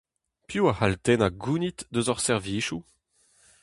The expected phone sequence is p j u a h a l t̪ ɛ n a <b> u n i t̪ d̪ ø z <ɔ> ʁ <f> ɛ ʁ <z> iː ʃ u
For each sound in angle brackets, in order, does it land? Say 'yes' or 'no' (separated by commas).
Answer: no, yes, no, no